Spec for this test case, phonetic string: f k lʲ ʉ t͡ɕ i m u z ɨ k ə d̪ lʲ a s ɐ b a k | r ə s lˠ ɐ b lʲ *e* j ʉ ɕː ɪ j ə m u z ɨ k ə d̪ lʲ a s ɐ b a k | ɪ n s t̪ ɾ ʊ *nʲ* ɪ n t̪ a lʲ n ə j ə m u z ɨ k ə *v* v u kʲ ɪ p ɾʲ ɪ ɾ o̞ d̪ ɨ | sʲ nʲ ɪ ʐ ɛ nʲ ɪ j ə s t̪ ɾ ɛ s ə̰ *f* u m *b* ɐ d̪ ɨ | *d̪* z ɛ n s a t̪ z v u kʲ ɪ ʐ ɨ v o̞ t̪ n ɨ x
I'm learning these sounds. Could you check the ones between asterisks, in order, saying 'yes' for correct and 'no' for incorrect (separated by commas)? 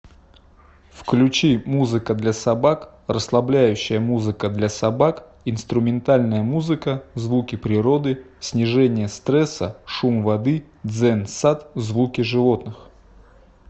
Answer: no, no, no, no, no, yes